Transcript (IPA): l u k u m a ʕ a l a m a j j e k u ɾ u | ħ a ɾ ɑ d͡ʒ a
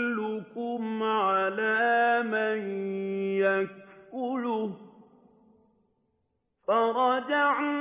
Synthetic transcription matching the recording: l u k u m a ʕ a l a m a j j a k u l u | f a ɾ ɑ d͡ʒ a